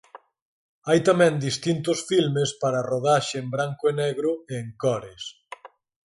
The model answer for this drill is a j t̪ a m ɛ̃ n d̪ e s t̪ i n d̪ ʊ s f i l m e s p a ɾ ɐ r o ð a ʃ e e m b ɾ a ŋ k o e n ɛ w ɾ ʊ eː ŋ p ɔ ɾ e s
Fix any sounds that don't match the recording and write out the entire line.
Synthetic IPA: a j t̪ a m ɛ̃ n d̪ i s t̪ i n t̪ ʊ s f i l m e s p a ɾ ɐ r o ð a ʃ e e m b ɾ a ŋ k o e n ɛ ɣ ɾ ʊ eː ŋ k ɔ ɾ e s